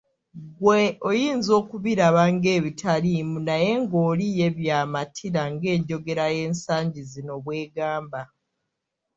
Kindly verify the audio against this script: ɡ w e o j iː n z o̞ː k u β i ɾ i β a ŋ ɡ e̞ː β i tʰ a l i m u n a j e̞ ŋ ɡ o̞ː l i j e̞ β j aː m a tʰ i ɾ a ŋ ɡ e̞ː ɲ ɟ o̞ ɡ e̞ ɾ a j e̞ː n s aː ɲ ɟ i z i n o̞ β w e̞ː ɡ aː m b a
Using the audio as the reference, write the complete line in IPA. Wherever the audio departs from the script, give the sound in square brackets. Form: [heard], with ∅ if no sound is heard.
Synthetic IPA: ɡ w e o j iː n z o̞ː k u β i ɾ [a] β a ŋ ɡ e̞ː β i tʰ a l i m u n a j e̞ ŋ ɡ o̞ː l i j e̞ β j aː m a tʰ i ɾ a ŋ ɡ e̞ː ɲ ɟ o̞ ɡ e̞ ɾ a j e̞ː n s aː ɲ ɟ i z i n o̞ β w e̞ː ɡ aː m b a